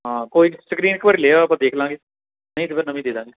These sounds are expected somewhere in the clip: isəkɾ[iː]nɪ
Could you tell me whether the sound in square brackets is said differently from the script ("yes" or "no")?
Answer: no